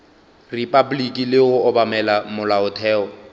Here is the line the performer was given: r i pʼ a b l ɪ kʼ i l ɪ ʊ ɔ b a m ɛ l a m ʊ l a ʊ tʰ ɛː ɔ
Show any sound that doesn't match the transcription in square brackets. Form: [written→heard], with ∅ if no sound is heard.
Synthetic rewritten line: r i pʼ a b l [ɪ→i] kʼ i l ɪ ʊ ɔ b a m ɛ l a m ʊ l a ʊ tʰ ɛː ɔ

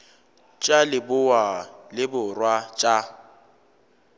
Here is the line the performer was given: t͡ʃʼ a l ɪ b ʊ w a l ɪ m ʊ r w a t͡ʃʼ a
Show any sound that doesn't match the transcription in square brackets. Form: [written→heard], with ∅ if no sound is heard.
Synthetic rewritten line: t͡ʃʼ a l ɪ b ʊ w a l ɪ [m→b] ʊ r w a t͡ʃʼ a

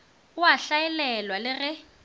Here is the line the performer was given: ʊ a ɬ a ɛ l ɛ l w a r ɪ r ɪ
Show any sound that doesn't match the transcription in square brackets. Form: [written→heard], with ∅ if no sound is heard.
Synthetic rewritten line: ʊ a ɬ a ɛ l ɛ l w a [r→l] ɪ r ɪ

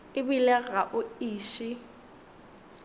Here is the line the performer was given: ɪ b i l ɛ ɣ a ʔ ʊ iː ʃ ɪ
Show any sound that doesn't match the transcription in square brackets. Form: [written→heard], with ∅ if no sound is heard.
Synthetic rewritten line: ɪ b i l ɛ ɣ a ʔ ʊ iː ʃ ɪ

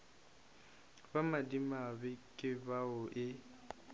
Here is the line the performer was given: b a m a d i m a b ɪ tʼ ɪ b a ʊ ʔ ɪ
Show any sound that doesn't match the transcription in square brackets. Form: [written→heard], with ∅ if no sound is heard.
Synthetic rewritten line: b a m a d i m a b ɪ [tʼ→kʼ] ɪ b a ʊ ʔ ɪ

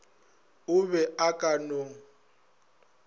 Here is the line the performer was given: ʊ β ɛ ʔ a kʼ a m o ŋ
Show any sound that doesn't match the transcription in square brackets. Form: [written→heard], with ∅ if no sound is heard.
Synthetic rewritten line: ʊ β ɛ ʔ a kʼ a [m→n] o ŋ

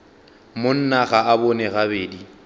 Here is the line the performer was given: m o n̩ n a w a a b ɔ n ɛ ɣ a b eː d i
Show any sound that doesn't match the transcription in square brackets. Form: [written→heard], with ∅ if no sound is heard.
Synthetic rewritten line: m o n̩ n a [w→ɣ] a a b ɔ n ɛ ɣ a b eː d i

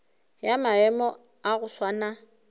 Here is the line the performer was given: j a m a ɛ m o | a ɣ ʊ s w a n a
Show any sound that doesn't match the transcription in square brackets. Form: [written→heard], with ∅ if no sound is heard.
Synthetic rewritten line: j a m a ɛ m [o→ɔ] | a ɣ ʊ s w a n a

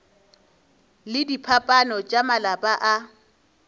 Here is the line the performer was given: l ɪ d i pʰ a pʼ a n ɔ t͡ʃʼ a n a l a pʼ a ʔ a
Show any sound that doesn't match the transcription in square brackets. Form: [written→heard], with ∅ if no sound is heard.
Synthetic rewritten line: l ɪ d i pʰ a pʼ a n ɔ t͡ʃʼ a [n→m] a l a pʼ a ʔ a

